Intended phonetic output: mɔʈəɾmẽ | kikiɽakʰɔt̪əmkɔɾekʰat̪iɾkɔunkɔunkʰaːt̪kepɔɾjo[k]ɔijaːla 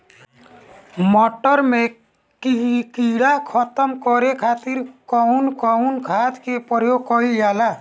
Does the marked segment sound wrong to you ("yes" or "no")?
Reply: no